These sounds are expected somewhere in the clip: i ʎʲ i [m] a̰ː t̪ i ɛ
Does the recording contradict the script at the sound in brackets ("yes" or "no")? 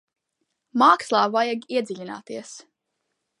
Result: yes